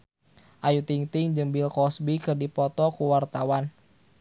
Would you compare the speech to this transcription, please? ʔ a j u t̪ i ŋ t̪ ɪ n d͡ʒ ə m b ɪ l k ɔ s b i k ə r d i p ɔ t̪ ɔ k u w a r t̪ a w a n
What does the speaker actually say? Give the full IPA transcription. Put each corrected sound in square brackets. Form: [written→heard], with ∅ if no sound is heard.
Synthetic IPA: ʔ a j u t̪ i ŋ t̪ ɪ [n→ŋ] d͡ʒ ə m b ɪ l k ɔ s b i k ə r d i p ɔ t̪ ɔ k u w a r t̪ a w a n